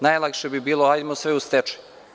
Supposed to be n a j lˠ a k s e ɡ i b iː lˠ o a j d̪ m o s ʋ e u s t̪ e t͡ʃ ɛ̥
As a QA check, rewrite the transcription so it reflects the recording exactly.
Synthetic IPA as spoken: n a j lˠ a k ʃ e b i b iː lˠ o a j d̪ m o s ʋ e u s t̪ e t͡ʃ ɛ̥